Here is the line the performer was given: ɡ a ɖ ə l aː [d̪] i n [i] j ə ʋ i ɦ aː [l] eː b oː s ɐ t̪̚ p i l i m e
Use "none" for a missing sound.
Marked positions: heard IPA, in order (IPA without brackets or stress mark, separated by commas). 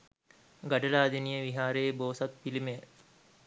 d̪, i, ɾ